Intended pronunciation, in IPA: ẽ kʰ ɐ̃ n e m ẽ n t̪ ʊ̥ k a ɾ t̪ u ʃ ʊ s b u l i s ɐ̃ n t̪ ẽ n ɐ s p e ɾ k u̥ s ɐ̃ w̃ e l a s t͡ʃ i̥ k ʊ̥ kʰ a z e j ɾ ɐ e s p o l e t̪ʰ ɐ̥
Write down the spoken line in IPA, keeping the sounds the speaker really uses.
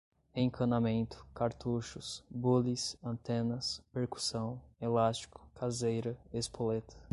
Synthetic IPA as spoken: ẽ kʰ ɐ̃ n a m ẽ n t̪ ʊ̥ k a ɾ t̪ u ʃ ʊ s b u l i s ɐ̃ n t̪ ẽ n ɐ s p e ɾ k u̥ s ɐ̃ w̃ e l a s t͡ʃ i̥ k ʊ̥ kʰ a z e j ɾ ɐ e s p o l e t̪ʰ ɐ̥

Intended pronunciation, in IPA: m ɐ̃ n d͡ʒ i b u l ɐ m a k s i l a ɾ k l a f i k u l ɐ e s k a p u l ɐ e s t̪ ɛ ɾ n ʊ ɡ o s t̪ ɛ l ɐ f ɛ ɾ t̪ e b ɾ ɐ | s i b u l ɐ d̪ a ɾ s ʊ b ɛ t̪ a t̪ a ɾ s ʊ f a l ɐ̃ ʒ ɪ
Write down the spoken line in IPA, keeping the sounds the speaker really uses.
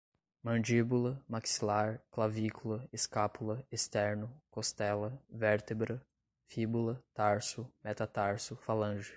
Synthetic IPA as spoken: m ɐ̃ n d͡ʒ i b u l ɐ m a k s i l a ɾ k l a v i k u l ɐ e s k a p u l ɐ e s t̪ ɛ ɾ n ʊ k o s t̪ ɛ l ɐ v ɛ ɾ t̪ e b ɾ ɐ | f i b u l ɐ t̪ a ɾ s ʊ m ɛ t̪ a t̪ a ɾ s ʊ f a l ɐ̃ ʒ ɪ

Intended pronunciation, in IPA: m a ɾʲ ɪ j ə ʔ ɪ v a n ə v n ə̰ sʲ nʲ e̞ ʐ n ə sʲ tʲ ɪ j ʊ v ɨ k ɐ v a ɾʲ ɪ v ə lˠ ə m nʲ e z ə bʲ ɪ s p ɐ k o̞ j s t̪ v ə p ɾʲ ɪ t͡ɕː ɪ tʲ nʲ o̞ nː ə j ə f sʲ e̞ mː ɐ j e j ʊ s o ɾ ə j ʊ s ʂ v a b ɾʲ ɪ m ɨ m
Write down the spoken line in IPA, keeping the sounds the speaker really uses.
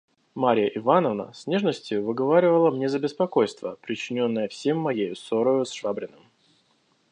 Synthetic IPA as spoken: m a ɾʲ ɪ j ə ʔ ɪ v a n ə v n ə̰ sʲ nʲ e̞ ʐ n ə sʲ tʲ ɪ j ʊ v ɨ ɡ ɐ v a ɾʲ ɪ v ə lˠ ə m nʲ e z ə bʲ ɪ s p ɐ k o̞ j s t̪ v ə p ɾʲ ɪ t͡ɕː ɪ nʲ o̞ nː ə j ə f sʲ e̞ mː ɐ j e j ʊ s o ɾ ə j ʊ s ʂ v a b ɾʲ ɪ n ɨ m

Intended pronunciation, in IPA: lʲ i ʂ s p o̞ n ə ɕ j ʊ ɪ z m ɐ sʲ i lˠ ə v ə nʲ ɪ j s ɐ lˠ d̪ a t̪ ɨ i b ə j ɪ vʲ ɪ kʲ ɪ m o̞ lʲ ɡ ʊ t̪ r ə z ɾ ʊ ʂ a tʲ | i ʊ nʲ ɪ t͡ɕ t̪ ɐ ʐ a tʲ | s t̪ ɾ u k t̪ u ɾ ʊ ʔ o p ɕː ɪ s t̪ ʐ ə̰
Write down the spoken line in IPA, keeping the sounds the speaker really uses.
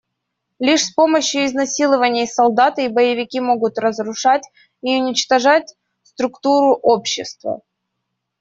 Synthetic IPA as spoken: lʲ i ʂ s p o̞ m ə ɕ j ʊ ɪ z n ɐ sʲ i lˠ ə v ə nʲ ɪ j s ɐ lˠ d̪ a t̪ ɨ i b ə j ɪ vʲ ɪ kʲ i m o̞ ɡ ʊ t̪ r ə z ɾ ʊ ʂ a tʲ | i ʊ nʲ ɪ t͡ɕ t̪ ɐ ʐ a tʲ | s t̪ ɾ ʊ k t̪ u ɾ ʊ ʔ o p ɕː ɪ s t̪ v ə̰

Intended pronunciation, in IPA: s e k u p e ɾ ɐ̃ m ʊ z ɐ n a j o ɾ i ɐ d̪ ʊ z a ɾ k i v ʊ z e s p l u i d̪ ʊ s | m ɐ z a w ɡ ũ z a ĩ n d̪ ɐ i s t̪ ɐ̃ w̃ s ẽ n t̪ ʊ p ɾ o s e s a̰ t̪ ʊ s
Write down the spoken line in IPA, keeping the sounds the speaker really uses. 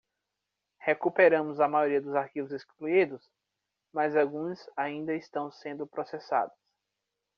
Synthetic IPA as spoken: h e k u p e ɾ ɐ̃ m ʊ z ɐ m a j o ɾ i ɐ d̪ ʊ z a ɾ k i v ʊ z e s k l u i d̪ ʊ s | m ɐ z a w ɡ ũ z a ĩ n d̪ ɐ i s t̪ ɐ̃ w̃ s ẽ n d̪ ʊ p ɾ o s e s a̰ d̪ ʊ s

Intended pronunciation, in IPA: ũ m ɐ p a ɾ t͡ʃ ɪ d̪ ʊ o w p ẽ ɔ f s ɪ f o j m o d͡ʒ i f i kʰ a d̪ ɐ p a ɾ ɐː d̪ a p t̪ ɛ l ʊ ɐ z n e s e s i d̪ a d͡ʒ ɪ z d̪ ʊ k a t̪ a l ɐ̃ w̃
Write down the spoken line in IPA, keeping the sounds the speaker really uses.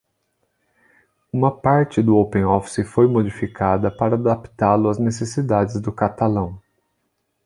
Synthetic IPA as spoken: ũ m ɐ p a ɾ t͡ʃ ɪ d̪ ʊ o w p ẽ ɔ f s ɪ f o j m o d͡ʒ i f i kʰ a d̪ ɐ p a ɾ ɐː d̪ a p t̪ a l ʊ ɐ z n e s e s i d̪ a d͡ʒ ɪ z d̪ ʊ k a t̪ a l ɐ̃ w̃

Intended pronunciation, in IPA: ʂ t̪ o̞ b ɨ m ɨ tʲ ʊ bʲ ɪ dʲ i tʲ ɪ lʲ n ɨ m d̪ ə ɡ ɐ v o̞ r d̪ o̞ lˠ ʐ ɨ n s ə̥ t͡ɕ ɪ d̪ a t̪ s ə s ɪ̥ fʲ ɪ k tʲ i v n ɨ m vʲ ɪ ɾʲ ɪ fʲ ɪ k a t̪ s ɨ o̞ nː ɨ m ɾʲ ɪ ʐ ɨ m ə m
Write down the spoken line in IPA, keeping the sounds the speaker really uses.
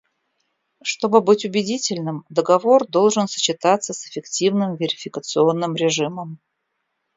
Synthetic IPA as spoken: ʂ t̪ o̞ b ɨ b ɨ tʲ ʊ bʲ ɪ dʲ i tʲ ɪ lʲ n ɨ m d̪ ə ɡ ɐ v o̞ r d̪ o̞ lˠ ʐ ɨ n s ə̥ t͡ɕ ɪ t̪ a t̪ s ə s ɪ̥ fʲ ɪ k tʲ i v n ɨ m vʲ ɪ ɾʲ ɪ fʲ ɪ k ə t̪ s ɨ o̞ nː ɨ m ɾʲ ɪ ʐ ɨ m ə m

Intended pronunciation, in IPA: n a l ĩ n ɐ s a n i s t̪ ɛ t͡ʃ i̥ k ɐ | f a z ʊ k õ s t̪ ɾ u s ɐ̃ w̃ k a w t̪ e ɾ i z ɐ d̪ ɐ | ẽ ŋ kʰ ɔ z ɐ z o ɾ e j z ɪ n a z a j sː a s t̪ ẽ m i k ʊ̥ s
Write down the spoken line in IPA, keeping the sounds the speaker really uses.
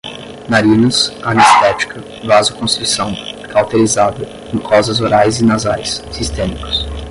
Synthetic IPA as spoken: n a ɾ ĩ n ɐ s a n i s t̪ ɛ t͡ʃ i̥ k ɐ | v a z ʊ k õ s t̪ ɾ u s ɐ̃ w̃ k a w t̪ e ɾ i z a d̪ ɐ | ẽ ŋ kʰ ɔ z ɐ z o ɾ a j z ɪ n a z a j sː i s t̪ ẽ m i k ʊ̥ s

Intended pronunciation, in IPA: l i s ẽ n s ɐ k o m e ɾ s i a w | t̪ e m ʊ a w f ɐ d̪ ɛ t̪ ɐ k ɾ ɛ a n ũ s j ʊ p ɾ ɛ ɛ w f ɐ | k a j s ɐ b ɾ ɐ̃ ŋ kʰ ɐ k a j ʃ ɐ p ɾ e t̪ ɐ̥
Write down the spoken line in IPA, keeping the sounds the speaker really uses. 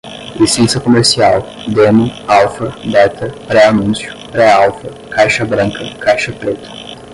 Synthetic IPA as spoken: l i s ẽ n s ɐ k o m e ɾ s i a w | d̪ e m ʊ a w f ɐ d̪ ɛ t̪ ɐ p ɾ ɛ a n ũ s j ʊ p ɾ ɛ a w f ɐ | k a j ʃ ɐ b ɾ ɐ̃ ŋ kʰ ɐ k a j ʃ ɐ p ɾ e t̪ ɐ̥

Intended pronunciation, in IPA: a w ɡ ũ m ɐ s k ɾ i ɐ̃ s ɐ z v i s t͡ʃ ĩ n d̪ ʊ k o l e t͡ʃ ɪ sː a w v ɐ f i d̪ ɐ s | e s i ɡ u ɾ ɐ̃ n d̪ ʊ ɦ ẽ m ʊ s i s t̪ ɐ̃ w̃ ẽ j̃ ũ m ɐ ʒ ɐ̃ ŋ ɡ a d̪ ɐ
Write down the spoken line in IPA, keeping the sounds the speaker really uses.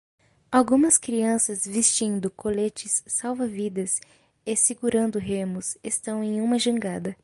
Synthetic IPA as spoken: a w ɡ ũ m ɐ s k ɾ i ɐ̃ s ɐ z v i s t͡ʃ ĩ n d̪ ʊ k o l e t͡ʃ ɪ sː a w v ɐ v i d̪ ɐ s | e s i ɡ u ɾ ɐ̃ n d̪ ʊ ɦ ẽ m ʊ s e s t̪ ɐ̃ w̃ ẽ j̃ ũ m ɐ ʒ ɐ̃ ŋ ɡ a d̪ ɐ

